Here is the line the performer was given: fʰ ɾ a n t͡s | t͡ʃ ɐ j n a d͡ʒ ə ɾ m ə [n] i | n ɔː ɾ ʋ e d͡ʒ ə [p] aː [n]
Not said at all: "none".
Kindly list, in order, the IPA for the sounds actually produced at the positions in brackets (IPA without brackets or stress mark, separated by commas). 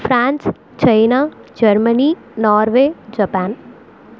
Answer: n, p, n